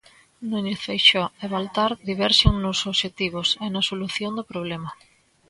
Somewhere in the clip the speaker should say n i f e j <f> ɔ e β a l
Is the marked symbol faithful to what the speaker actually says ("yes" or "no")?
no